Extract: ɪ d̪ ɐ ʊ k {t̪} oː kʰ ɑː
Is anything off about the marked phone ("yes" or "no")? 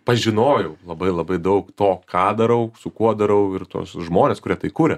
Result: no